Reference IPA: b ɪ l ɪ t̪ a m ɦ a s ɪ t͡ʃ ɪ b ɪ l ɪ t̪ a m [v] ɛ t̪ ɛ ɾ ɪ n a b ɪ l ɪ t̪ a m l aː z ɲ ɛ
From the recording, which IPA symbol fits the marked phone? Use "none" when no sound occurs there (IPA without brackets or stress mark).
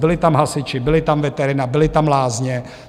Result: v